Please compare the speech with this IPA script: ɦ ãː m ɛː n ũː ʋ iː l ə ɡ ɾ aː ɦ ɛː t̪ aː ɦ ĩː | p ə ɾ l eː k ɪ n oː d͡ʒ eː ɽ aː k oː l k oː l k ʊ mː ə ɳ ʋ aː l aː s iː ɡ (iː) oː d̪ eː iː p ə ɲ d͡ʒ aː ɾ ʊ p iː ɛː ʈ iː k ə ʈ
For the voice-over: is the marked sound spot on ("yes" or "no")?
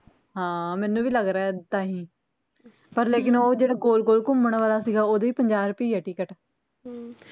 no